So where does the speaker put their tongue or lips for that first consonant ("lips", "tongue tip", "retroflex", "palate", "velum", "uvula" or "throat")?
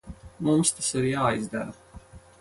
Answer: lips